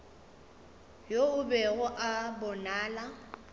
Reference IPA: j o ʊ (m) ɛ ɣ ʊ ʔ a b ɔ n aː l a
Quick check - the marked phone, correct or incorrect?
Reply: incorrect: b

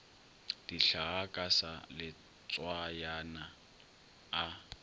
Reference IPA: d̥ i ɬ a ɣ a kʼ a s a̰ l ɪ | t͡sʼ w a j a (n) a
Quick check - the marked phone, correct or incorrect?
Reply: correct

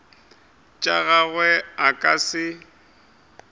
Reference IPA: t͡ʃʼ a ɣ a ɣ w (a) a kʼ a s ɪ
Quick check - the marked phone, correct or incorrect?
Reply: incorrect: ɛ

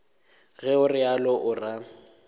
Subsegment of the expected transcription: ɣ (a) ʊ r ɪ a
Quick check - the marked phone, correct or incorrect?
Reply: incorrect: ɛ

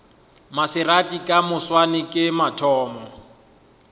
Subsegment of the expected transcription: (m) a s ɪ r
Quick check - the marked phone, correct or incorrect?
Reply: correct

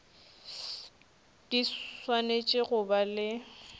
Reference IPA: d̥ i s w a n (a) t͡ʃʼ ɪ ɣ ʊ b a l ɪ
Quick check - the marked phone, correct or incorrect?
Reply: incorrect: e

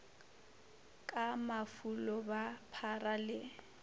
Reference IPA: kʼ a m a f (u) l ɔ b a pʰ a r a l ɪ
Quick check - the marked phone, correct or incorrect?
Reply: correct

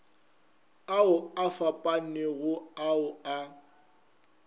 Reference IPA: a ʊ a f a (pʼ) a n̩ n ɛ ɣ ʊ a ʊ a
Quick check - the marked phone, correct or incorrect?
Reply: correct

